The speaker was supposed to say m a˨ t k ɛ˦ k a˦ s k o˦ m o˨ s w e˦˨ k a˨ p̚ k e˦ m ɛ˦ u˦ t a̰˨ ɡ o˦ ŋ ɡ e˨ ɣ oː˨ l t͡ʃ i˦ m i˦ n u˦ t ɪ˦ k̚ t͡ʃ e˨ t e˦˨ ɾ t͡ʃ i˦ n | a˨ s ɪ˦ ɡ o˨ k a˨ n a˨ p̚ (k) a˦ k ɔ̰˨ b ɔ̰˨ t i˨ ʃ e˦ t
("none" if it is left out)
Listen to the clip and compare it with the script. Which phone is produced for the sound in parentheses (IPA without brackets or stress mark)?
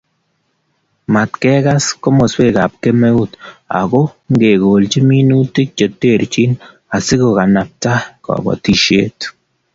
t